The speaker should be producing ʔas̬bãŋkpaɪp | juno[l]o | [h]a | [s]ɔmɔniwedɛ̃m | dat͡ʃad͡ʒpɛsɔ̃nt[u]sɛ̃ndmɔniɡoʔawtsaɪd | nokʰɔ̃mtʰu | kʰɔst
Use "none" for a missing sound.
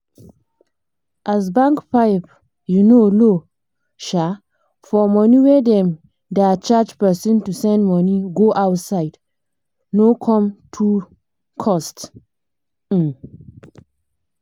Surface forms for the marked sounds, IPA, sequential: l, ʃ, f, u

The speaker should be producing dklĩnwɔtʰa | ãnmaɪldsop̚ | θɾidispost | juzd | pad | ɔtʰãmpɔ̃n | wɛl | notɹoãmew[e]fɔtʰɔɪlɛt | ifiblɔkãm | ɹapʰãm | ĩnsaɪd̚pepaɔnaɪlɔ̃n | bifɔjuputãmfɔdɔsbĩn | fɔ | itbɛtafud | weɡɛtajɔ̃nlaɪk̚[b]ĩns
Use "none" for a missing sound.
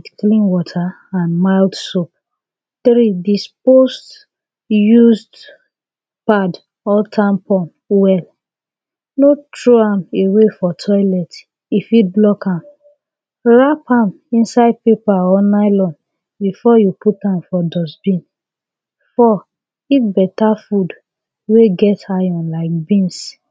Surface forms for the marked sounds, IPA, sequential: e, b

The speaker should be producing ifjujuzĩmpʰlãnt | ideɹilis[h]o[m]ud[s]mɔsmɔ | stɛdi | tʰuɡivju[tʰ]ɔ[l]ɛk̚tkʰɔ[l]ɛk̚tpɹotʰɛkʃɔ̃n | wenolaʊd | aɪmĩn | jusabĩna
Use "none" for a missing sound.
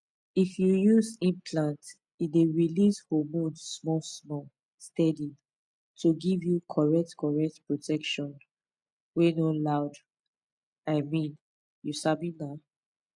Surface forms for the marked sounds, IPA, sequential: h, m, s, kʰ, ɹ, ɹ

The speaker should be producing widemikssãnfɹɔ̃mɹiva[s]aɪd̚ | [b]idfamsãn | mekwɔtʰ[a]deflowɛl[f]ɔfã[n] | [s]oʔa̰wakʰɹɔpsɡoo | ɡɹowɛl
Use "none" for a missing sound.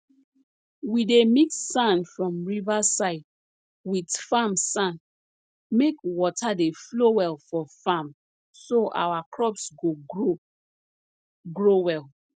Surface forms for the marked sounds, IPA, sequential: s, w, a, f, m, s

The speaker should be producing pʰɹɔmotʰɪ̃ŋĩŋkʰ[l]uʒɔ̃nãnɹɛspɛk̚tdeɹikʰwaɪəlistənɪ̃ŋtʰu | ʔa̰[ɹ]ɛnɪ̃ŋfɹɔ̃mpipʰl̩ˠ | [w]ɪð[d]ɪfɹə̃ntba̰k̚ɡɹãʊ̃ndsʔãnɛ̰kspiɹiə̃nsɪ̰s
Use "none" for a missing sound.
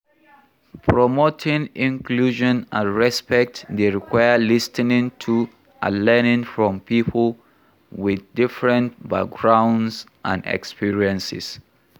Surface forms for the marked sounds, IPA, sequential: l, l, w, d

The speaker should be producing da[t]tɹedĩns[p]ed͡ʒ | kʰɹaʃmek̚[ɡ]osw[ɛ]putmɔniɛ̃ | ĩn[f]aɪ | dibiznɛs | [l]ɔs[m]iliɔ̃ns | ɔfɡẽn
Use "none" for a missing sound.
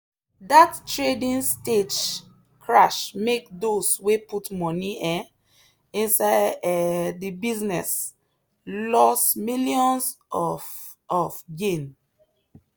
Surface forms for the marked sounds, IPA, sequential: t, t, d, e, s, l, m

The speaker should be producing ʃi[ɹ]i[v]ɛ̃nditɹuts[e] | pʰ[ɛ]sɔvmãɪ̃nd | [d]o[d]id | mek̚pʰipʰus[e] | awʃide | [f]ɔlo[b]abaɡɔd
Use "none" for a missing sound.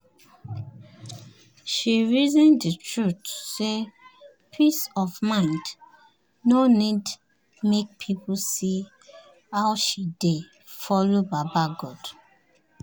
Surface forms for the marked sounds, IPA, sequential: ɹ, z, e, i, n, n, i, f, b

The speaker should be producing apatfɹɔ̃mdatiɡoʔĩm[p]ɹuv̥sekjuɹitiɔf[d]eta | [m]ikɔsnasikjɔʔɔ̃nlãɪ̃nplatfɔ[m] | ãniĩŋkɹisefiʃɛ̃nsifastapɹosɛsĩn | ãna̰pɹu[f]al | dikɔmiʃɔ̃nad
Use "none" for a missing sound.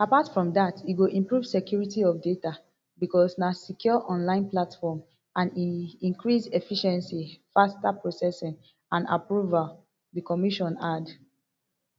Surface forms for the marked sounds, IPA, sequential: p, d, b, m, v

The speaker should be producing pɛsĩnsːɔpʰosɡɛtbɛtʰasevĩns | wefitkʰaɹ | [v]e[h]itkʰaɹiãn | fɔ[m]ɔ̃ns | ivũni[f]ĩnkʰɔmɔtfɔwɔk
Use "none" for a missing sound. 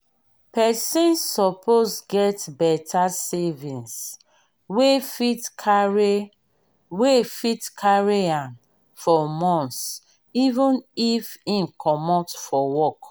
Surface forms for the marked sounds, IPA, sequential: w, f, m, f

